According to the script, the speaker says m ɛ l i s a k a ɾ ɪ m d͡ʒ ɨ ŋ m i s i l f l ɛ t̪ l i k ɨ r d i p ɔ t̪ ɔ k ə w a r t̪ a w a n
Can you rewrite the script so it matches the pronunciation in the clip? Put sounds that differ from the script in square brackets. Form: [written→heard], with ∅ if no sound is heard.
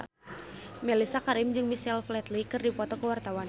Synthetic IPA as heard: m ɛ l i s a k a ɾ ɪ m d͡ʒ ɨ ŋ m i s [i→ɛ] l f l ɛ t̪ l i k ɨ r d i p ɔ t̪ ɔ k ə w a r t̪ a w a n